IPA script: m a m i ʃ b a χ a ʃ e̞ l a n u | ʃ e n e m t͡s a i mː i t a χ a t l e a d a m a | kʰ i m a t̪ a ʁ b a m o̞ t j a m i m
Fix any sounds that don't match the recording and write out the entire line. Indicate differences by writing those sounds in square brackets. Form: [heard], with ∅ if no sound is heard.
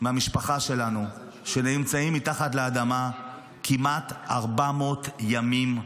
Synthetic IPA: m a m i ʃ [p] a χ a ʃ e̞ l a n u | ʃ e n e m t͡s a i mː i t a χ a t l e a d a m a | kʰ i m a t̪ a ʁ b a m o̞ t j a m i m